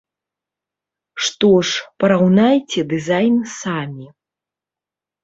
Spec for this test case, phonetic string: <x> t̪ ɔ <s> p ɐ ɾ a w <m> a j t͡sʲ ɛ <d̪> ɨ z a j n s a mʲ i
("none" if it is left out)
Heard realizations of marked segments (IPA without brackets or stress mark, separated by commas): ʂ, ʂ, n, d̪